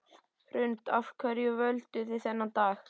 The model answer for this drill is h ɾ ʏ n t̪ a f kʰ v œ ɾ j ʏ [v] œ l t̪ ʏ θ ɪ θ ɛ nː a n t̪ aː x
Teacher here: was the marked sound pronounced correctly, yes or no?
yes